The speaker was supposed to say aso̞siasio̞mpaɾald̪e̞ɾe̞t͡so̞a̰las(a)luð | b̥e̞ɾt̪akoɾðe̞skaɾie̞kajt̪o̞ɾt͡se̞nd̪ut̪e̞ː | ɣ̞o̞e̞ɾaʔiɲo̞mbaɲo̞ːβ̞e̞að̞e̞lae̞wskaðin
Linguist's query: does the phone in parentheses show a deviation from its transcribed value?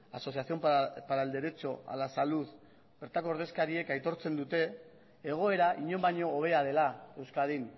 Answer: no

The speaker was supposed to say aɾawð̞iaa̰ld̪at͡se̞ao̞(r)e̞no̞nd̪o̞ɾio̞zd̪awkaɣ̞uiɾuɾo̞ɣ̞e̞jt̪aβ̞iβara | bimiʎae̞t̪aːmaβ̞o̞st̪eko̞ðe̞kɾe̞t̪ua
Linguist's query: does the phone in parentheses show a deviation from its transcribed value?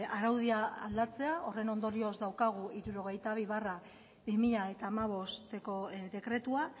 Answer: no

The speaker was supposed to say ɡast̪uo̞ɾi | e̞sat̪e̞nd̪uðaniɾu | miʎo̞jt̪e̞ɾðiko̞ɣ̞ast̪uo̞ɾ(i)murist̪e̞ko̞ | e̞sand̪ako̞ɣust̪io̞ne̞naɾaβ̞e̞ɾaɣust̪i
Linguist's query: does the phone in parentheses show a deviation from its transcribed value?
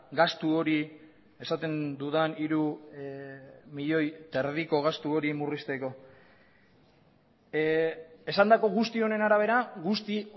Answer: no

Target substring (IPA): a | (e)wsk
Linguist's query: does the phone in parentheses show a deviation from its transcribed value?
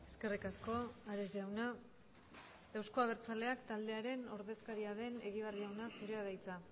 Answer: no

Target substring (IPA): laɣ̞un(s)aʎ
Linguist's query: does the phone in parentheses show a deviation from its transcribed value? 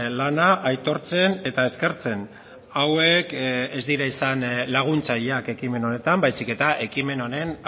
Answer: yes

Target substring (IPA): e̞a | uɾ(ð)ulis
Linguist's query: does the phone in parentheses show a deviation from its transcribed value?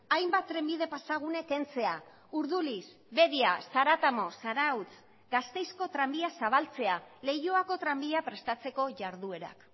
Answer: no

